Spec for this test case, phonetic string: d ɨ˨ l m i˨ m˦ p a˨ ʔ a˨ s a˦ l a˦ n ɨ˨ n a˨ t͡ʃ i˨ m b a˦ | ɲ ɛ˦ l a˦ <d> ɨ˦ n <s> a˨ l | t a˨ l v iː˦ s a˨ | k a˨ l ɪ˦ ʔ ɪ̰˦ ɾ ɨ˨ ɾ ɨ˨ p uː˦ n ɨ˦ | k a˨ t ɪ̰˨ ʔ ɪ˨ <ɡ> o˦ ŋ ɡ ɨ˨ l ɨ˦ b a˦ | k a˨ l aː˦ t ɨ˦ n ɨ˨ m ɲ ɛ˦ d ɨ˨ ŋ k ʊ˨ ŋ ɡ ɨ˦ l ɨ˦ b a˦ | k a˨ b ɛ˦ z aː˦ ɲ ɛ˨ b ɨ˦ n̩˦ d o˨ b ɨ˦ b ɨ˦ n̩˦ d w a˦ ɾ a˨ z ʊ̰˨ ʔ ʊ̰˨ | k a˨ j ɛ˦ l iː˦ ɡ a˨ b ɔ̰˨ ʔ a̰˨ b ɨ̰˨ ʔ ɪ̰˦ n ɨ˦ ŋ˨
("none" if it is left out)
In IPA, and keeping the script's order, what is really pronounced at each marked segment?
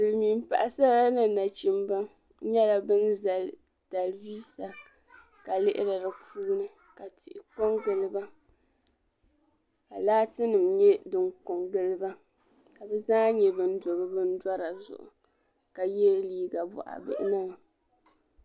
b, z, k

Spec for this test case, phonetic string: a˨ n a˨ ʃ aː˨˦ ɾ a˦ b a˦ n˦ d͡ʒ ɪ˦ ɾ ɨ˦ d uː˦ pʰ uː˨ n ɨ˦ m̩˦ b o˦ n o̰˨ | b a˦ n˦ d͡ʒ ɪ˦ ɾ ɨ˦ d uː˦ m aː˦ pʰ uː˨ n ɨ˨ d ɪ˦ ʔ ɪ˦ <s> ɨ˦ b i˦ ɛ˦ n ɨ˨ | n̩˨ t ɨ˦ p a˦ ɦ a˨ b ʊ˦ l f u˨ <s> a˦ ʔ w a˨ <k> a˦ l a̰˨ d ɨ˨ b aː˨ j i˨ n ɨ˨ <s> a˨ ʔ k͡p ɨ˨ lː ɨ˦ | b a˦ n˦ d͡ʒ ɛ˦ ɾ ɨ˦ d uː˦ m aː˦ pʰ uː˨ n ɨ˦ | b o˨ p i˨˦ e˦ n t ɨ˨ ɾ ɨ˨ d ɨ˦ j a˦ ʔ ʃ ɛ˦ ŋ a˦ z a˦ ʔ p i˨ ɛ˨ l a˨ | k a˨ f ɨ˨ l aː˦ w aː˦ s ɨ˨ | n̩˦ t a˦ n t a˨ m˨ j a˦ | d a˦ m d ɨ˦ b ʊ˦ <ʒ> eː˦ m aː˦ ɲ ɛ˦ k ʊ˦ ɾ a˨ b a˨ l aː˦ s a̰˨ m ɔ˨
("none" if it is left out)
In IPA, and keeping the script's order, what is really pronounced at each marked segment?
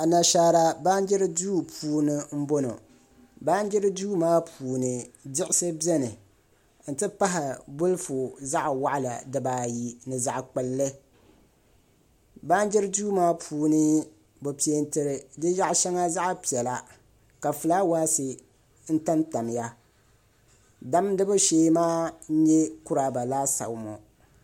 s, z, ʔ, z, ʃ

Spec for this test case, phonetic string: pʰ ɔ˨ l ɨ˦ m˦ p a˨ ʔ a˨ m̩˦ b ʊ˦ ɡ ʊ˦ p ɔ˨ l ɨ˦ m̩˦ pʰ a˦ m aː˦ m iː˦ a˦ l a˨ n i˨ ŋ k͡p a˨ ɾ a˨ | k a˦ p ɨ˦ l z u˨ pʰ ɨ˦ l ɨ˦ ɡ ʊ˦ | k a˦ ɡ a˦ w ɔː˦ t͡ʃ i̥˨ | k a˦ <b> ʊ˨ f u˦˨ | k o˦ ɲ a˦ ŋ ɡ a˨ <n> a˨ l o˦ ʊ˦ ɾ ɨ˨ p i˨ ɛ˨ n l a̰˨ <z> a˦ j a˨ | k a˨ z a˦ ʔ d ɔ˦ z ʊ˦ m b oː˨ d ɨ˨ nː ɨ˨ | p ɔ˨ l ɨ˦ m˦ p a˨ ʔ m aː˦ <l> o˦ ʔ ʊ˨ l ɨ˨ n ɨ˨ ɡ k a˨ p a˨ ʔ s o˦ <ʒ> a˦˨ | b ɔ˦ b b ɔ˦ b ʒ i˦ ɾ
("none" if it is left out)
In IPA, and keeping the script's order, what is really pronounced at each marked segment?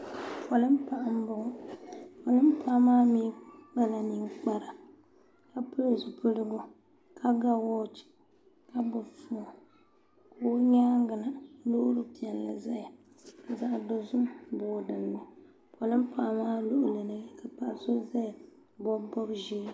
b, n, z, l, z

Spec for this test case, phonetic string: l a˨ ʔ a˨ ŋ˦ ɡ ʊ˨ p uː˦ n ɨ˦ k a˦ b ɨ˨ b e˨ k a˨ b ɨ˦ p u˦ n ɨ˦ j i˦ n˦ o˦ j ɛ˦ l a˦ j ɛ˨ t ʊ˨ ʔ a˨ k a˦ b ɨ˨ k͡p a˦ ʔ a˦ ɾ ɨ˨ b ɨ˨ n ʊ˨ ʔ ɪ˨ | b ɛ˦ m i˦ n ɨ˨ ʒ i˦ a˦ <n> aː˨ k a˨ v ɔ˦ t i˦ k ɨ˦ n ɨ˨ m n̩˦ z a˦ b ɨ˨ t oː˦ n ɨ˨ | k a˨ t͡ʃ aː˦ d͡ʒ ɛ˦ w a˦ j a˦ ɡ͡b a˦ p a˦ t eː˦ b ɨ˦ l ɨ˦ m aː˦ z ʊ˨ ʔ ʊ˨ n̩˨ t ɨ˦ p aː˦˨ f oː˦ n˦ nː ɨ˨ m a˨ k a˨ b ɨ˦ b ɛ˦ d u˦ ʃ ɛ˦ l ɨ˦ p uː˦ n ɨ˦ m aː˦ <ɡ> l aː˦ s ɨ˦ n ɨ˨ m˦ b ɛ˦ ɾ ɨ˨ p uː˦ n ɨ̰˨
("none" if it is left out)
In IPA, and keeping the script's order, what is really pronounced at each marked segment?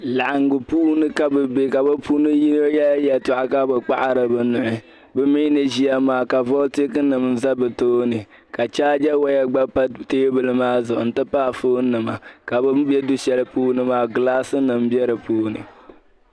m, ɡ

